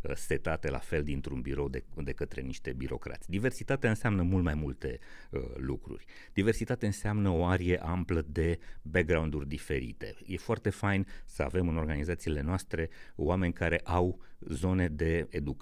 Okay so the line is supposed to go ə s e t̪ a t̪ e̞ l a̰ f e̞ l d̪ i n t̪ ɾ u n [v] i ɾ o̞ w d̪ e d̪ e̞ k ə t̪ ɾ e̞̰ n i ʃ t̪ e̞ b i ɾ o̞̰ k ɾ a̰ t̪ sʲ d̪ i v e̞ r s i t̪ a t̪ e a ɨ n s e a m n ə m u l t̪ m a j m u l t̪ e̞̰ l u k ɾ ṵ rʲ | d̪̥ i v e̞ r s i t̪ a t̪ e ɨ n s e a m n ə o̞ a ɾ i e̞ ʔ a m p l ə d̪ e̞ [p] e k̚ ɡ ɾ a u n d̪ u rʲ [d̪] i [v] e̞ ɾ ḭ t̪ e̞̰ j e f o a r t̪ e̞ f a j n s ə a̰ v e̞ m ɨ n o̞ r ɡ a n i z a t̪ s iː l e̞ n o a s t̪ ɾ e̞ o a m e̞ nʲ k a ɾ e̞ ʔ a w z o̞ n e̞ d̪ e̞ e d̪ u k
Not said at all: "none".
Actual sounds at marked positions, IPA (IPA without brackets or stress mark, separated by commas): b, b, d̪, f